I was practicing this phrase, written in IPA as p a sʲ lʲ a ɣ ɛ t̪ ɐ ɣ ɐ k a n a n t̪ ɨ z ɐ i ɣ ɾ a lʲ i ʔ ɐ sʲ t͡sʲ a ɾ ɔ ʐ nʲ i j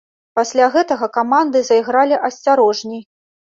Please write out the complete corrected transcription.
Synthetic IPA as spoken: p a sʲ lʲ a ɣ ɛ t̪ ɐ ɣ ɐ k a m a n d̪ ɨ z ɐ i ɣ ɾ a lʲ i ʔ ɐ sʲ t͡sʲ a ɾ ɔ ʐ nʲ i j